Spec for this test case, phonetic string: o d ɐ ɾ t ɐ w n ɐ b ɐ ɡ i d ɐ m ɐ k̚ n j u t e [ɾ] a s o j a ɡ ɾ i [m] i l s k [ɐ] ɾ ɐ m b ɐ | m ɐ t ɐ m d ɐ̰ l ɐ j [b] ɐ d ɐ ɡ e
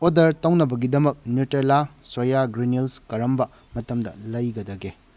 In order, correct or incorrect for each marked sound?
incorrect: l, incorrect: n, correct, incorrect: ɡ

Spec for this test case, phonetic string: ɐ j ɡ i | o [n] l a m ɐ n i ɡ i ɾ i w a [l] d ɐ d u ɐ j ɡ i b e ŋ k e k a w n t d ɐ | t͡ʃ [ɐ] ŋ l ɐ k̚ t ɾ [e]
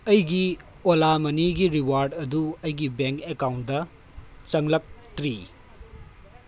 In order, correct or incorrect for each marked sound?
incorrect: none, incorrect: ɾ, correct, incorrect: i

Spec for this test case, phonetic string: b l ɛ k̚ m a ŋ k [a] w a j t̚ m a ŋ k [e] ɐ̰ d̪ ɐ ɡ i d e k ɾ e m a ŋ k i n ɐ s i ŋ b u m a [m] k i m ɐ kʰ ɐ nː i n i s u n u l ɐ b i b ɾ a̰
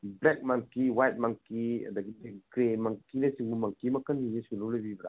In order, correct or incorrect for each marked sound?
incorrect: i, incorrect: i, incorrect: ŋ

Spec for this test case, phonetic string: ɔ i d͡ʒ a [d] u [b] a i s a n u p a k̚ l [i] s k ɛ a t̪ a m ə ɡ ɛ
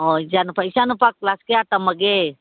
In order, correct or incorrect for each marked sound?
incorrect: n, incorrect: p, incorrect: a

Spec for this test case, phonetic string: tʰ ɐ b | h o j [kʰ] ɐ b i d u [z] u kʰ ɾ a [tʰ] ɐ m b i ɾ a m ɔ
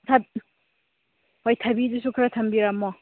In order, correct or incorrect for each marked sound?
incorrect: tʰ, incorrect: s, correct

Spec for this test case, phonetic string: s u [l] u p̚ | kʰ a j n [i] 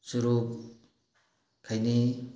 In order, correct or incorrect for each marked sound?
incorrect: ɾ, correct

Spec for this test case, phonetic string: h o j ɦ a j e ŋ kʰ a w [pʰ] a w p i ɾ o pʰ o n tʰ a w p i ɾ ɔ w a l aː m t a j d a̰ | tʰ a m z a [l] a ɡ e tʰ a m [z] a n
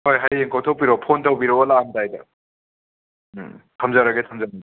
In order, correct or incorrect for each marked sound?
incorrect: tʰ, incorrect: ɾ, correct

